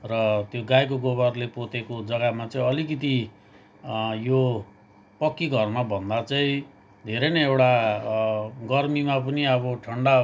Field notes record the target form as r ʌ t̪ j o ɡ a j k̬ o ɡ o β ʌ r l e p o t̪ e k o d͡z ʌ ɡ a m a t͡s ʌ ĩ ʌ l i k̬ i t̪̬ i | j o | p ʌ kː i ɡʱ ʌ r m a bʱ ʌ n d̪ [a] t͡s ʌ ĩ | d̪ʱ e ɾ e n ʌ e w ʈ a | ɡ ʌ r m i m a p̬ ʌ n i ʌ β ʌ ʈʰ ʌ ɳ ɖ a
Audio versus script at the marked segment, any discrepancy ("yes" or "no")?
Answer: no